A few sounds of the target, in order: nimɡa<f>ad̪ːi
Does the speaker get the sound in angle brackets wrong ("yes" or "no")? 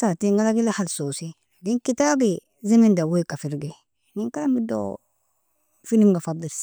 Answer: no